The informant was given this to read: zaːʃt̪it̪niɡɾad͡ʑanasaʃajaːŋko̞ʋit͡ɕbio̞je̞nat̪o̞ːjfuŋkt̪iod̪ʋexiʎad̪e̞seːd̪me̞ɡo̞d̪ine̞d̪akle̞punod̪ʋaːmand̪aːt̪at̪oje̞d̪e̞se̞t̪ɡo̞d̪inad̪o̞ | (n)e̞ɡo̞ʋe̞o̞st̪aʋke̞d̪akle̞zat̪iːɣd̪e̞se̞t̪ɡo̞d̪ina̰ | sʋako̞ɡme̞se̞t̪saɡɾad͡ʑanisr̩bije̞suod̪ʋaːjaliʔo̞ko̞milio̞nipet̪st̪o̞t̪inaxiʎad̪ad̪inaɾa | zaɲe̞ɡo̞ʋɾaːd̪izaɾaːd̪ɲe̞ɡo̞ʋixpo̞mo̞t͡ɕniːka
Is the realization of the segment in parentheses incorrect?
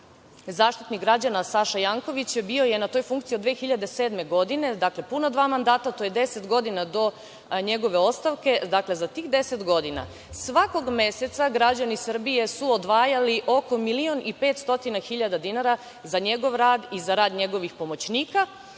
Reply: yes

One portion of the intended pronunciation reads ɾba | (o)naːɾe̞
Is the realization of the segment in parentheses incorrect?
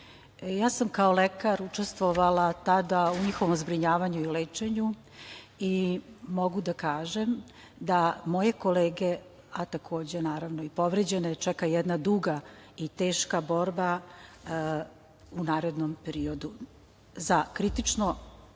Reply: yes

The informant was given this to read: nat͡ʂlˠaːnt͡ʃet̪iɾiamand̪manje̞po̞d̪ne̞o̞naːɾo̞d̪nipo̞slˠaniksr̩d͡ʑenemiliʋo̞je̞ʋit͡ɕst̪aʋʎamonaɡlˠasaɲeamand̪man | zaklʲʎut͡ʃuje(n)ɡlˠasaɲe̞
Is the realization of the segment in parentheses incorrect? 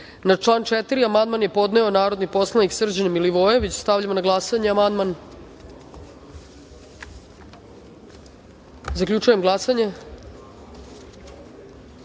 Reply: yes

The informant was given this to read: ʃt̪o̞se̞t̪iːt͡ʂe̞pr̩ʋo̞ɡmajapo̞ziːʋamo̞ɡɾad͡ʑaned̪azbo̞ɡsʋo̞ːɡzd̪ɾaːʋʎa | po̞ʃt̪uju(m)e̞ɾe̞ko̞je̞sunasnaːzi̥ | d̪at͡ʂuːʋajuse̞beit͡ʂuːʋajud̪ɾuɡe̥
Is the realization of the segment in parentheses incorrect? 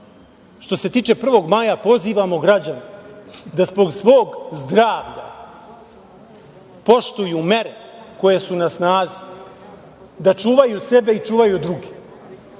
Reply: no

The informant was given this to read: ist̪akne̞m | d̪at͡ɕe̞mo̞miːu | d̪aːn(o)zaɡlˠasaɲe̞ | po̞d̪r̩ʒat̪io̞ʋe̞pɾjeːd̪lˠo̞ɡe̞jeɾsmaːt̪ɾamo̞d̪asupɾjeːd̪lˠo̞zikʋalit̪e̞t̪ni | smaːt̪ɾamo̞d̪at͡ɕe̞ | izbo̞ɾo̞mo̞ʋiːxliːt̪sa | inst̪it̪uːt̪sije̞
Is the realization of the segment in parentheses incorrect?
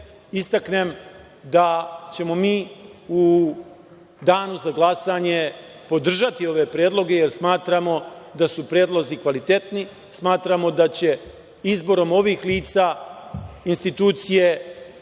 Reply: yes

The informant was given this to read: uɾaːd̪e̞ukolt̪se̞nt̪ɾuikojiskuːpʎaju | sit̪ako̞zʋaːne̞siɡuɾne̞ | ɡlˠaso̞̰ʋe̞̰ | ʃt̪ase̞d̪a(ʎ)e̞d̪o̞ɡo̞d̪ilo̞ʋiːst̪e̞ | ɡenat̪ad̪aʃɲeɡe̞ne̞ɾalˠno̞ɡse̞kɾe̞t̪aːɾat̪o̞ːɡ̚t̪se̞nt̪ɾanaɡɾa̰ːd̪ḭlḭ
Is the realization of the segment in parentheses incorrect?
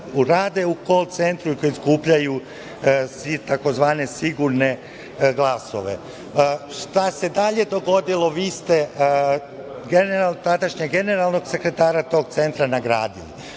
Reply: no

